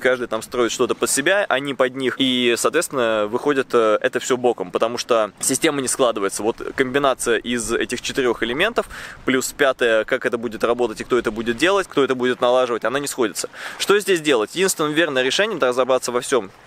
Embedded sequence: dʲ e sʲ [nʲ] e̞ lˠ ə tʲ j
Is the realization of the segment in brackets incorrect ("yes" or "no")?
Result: yes